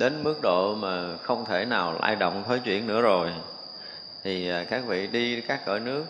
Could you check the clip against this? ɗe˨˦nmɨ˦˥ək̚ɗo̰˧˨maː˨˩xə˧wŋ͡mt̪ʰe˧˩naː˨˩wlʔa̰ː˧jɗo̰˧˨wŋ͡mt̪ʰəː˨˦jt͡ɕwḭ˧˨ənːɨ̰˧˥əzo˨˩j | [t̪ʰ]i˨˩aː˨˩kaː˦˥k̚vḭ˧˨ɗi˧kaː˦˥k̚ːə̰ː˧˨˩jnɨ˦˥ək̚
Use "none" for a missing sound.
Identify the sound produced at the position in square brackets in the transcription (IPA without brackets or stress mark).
t̪ʰ